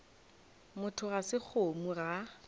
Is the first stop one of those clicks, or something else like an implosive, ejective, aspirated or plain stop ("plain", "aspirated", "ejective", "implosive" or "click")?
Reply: aspirated